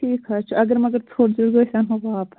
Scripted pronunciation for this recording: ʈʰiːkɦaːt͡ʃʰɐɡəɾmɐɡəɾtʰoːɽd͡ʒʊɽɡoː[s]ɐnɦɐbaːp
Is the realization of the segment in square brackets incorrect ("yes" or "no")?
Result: no